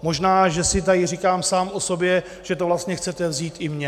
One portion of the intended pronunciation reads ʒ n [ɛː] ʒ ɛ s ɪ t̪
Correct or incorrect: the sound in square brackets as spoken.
incorrect: aː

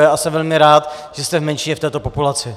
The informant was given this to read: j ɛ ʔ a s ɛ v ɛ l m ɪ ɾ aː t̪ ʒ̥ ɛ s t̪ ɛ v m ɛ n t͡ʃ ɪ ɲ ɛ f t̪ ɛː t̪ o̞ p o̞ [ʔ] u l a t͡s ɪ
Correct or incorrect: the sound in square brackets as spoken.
incorrect: p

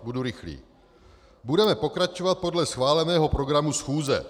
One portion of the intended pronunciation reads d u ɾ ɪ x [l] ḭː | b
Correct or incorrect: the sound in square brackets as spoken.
correct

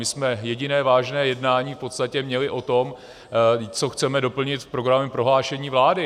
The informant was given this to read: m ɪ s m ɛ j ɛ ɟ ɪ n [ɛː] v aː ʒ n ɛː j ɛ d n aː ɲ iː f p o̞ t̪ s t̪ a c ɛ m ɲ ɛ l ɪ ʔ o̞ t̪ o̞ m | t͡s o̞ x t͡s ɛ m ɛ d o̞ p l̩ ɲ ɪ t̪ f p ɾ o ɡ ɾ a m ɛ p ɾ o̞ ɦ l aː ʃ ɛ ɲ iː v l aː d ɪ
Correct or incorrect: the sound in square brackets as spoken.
correct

